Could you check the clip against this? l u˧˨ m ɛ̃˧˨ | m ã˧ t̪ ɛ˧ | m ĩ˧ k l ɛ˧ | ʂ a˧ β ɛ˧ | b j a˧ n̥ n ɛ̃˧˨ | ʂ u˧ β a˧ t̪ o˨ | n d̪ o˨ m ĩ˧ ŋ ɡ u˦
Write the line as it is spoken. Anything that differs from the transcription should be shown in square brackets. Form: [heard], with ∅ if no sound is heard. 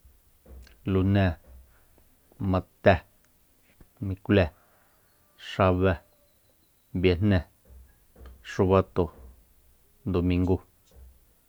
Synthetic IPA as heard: l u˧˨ [n] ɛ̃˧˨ | m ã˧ t̪ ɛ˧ | m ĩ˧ k l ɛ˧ | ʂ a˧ β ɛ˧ | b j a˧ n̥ n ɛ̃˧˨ | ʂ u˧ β a˧ t̪ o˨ | n d̪ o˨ m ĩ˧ ŋ ɡ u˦